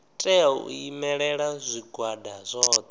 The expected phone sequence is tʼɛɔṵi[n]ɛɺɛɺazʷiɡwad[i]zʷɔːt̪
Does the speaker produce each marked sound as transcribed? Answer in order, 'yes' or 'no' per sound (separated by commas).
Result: no, no